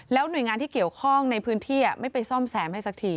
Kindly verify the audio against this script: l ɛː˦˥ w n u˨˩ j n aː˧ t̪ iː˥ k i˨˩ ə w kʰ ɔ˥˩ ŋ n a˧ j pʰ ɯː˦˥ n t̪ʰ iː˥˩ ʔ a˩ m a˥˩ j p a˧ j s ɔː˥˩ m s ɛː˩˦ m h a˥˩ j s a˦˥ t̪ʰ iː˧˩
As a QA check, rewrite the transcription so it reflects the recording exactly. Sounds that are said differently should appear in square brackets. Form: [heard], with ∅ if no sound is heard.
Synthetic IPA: l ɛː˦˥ w n u˨˩ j [ŋ] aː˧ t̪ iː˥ k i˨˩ ə w kʰ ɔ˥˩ ŋ n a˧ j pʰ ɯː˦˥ n t̪ʰ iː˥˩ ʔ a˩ m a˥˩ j p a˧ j s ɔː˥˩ m s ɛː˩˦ m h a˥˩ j s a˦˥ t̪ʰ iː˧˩